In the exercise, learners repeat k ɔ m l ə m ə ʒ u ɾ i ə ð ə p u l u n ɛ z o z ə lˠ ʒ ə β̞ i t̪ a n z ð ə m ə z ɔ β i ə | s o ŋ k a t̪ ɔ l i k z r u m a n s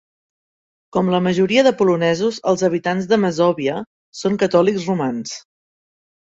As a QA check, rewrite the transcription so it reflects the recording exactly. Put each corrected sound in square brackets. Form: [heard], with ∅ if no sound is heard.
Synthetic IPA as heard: k ɔ m l ə m ə ʒ u ɾ i ə ð ə p u l u n ɛ z [u] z ə lˠ [z] ə β̞ i t̪ a n z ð ə m ə z ɔ β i ə | s o ŋ k [ə] t̪ ɔ l i k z r u m a n s